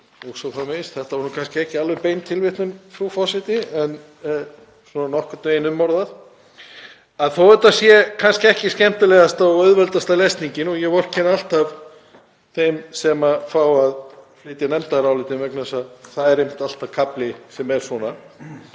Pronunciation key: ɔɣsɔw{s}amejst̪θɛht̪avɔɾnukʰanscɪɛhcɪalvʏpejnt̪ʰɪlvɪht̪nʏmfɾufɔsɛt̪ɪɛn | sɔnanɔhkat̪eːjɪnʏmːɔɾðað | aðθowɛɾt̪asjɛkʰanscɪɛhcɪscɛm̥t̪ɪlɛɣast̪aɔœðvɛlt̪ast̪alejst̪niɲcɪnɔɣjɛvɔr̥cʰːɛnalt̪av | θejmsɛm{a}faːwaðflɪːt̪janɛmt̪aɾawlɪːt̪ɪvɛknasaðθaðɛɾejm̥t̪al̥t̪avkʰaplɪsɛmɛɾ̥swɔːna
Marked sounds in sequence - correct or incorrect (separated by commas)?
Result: incorrect, correct